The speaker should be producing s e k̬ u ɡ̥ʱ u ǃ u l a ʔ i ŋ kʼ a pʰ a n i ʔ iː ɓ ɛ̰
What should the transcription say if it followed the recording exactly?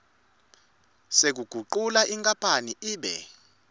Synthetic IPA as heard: s e k̬ u ɡ̥ʱ u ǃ u l a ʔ i ŋ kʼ a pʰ a n i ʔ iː ɓ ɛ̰